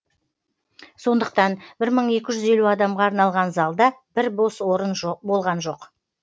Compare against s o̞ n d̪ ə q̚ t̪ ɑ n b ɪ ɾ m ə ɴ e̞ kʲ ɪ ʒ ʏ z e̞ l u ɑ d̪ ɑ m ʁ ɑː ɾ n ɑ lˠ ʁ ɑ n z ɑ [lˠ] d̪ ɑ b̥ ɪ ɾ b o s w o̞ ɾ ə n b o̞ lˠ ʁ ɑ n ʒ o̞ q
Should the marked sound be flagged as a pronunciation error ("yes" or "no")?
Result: no